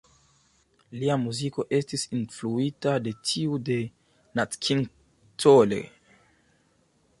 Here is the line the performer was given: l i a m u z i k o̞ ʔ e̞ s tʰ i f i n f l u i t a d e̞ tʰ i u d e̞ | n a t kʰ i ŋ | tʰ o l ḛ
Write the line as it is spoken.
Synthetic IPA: l i a m u z i k o̞ ʔ e̞ s t i s i n f l u i t a d e̞ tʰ i u d e̞ | n a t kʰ i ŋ | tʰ o l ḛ